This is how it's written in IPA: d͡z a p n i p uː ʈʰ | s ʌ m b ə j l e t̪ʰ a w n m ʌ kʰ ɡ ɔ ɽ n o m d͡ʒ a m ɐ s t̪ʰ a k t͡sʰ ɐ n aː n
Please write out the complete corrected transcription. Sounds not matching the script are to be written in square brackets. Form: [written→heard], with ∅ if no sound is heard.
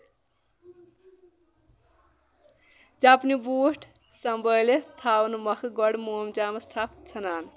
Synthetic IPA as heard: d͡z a p n i [p→b] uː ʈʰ | s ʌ m b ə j l e t̪ʰ a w n m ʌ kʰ ɡ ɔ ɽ [n→m] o m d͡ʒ a m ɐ s t̪ʰ a [k→p] t͡sʰ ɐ n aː n